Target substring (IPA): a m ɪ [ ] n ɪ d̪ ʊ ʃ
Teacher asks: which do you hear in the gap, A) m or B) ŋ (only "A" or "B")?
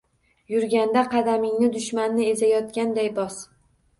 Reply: B